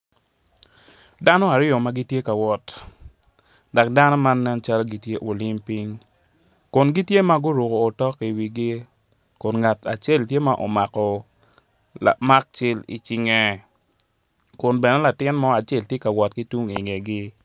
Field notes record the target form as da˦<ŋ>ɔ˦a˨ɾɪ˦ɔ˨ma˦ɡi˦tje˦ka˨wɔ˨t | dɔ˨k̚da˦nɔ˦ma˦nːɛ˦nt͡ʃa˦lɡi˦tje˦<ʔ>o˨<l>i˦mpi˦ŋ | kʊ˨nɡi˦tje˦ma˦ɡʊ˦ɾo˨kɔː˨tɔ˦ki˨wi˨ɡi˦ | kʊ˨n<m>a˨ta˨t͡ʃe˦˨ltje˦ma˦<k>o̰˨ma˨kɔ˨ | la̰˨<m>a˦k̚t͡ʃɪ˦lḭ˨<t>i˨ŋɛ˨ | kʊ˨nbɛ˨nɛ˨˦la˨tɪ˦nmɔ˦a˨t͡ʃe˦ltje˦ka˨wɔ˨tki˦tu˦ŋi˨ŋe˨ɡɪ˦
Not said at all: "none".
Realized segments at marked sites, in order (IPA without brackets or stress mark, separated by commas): n, ʔ, l, ŋ, ʔ, m, t͡ʃ